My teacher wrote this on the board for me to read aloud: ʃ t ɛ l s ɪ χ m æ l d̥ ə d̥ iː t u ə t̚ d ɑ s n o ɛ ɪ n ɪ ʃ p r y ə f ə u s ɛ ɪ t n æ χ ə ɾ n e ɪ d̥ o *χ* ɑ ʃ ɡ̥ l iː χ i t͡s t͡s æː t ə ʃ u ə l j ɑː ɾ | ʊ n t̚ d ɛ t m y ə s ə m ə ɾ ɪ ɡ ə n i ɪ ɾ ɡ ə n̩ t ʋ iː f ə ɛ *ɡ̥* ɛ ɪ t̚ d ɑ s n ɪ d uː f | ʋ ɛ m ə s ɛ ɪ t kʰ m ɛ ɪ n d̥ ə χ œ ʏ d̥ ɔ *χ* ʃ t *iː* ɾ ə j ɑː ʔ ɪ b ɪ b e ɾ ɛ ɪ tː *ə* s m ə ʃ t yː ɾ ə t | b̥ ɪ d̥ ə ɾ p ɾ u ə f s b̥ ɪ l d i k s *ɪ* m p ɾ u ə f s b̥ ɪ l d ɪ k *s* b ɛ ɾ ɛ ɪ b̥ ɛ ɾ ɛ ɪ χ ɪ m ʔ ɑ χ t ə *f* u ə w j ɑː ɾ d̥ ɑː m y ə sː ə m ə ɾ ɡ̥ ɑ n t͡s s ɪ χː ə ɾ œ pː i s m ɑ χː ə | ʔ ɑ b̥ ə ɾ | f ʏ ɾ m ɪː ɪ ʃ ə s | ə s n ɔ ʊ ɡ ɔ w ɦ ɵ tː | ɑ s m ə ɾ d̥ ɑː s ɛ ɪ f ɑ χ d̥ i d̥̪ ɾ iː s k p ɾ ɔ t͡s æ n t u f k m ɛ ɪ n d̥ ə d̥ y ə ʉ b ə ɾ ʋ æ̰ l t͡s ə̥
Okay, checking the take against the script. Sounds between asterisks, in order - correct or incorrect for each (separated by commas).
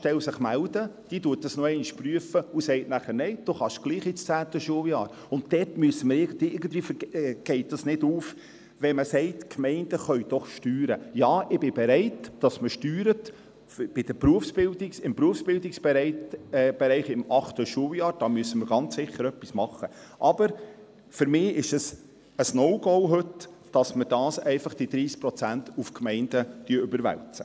correct, correct, correct, incorrect, incorrect, correct, correct, incorrect